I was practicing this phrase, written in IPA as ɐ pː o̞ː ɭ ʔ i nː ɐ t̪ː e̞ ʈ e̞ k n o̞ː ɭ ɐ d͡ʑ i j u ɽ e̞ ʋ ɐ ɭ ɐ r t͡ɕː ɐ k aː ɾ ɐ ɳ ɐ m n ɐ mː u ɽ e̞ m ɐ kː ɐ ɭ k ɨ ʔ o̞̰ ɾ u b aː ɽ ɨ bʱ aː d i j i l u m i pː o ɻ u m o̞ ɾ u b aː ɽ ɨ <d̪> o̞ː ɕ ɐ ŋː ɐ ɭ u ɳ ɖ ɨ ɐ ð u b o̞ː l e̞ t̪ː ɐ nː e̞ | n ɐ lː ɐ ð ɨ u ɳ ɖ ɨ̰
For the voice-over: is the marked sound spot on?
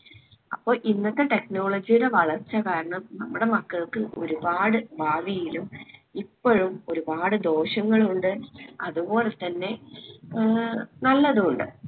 yes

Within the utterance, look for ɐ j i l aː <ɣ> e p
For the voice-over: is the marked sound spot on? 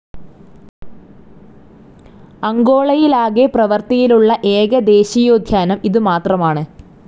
yes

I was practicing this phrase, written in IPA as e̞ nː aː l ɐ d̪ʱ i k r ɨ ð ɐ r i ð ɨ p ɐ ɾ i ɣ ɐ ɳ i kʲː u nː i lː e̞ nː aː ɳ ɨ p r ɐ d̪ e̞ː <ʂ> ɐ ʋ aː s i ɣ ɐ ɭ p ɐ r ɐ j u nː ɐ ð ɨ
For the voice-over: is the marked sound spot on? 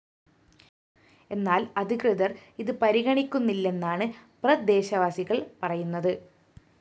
no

